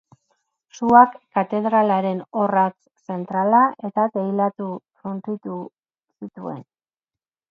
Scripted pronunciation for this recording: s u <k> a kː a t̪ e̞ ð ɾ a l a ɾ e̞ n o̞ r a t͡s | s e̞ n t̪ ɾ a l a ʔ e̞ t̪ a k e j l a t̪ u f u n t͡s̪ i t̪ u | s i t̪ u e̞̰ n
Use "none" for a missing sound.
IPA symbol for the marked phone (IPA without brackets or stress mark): none